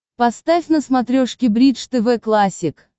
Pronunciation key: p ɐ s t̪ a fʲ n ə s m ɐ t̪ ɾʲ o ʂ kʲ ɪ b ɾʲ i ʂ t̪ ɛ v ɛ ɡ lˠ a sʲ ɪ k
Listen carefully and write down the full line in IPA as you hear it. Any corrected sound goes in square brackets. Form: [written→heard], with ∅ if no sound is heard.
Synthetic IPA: p ɐ s t̪ a fʲ n ə s m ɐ t̪ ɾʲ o ʂ kʲ ɪ b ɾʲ i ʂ t̪ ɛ v ɛ [ɡ→k] lˠ a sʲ ɪ k